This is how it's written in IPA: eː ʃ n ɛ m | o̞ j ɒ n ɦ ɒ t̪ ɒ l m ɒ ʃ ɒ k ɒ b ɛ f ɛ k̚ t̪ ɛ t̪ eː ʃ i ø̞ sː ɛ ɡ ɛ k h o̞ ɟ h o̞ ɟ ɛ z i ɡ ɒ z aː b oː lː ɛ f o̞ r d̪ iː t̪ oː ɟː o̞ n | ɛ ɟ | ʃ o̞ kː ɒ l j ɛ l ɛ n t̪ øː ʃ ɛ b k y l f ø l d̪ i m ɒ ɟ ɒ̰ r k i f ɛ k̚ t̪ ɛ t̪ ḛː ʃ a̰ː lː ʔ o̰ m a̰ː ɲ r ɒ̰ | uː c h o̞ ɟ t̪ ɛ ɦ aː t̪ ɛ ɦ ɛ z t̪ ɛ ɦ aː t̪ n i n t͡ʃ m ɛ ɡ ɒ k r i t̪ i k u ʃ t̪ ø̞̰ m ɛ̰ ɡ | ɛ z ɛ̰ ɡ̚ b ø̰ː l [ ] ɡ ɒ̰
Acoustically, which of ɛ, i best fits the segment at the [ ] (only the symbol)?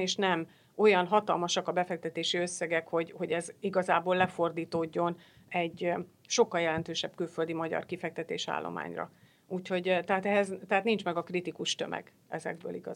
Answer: i